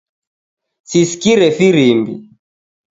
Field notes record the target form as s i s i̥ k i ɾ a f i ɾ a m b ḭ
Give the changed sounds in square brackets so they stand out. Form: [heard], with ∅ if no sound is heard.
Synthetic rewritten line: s i s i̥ k i ɾ [ɛ] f i ɾ [i] m b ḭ